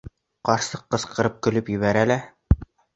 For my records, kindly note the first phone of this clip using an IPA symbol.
q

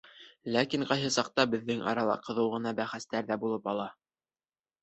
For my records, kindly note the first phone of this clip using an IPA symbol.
l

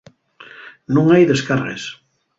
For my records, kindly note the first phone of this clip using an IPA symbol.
n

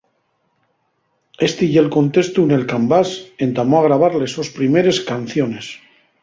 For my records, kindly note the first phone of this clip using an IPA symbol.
e̞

